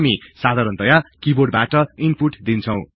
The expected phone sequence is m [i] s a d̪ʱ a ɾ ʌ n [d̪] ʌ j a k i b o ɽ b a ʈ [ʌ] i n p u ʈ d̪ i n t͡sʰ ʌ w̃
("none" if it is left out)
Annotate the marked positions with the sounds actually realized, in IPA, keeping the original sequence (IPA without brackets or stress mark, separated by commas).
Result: i, t̪, ʌ